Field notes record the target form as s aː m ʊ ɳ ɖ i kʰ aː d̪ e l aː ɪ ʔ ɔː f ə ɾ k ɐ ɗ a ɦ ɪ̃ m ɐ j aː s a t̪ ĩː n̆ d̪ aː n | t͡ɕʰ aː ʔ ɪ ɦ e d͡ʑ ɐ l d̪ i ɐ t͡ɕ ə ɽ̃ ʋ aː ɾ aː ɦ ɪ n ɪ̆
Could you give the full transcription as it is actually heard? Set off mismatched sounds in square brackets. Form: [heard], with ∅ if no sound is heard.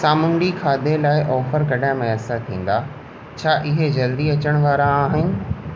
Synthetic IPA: s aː m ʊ ɳ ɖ i kʰ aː d̪ e l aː ɪ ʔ ɔː f ə ɾ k ɐ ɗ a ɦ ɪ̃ m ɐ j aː s a [t̪ʰ] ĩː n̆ d̪ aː [∅] | t͡ɕʰ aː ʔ ɪ ɦ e d͡ʑ ɐ l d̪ i ɐ t͡ɕ ə ɽ̃ ʋ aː ɾ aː ɦ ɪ n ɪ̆